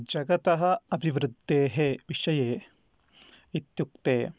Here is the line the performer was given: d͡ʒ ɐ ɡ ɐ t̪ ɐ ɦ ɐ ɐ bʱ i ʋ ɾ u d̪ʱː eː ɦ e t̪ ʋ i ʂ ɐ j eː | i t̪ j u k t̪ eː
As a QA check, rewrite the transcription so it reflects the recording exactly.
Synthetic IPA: d͡ʒ ɐ ɡ ɐ t̪ ɐ ɦ ɐ ɐ bʱ i ʋ ɾ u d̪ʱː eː ɦ e ʋ i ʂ ɐ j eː | i t̪ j u k t̪ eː